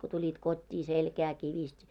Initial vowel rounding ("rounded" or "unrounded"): rounded